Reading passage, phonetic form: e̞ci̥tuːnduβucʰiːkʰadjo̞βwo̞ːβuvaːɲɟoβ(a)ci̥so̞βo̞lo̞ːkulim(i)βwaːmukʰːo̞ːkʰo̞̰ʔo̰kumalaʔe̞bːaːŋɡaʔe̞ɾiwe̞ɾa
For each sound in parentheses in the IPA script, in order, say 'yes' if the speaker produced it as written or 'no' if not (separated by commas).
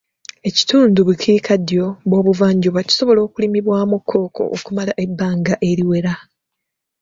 yes, yes